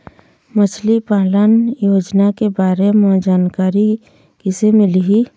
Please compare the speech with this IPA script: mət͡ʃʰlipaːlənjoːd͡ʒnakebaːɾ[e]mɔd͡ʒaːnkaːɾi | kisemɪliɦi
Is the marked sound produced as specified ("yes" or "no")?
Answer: yes